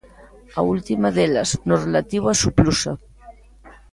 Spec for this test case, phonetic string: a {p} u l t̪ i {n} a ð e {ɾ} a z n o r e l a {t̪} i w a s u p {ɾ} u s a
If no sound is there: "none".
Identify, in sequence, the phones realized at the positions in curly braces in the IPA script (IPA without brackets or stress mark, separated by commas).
none, m, l, t̪, l